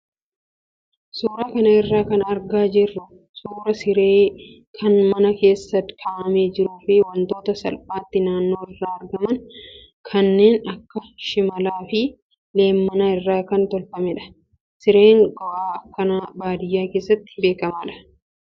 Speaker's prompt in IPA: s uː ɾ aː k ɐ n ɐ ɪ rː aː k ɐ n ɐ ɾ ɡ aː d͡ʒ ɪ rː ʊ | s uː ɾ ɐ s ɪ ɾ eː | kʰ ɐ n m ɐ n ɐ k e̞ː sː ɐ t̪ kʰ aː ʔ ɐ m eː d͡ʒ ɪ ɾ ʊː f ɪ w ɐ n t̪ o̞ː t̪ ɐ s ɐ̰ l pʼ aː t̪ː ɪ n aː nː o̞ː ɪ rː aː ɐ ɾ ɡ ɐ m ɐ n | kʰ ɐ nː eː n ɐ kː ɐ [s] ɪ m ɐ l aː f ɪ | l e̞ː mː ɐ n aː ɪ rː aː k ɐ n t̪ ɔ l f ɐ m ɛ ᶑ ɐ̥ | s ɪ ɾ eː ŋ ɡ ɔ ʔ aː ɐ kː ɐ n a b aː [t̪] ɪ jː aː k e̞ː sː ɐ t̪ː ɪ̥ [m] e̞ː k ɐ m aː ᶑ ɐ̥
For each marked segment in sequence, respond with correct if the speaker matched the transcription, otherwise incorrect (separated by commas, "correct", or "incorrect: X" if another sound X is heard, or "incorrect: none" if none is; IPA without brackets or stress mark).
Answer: incorrect: ʃ, incorrect: d̪, incorrect: b